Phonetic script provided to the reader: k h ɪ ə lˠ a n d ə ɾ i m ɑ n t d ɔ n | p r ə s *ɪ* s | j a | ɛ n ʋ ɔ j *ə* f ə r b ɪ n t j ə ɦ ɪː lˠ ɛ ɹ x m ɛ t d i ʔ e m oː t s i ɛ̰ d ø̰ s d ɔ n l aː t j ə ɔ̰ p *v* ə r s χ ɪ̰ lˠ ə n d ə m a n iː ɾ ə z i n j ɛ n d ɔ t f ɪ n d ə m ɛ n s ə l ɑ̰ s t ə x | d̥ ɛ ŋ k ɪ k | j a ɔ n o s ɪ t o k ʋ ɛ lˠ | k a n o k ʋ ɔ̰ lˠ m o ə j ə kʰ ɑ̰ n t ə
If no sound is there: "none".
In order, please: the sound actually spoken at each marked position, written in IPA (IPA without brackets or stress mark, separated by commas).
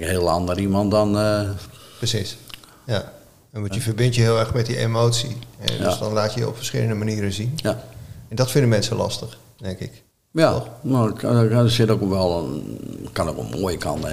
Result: i, ə, f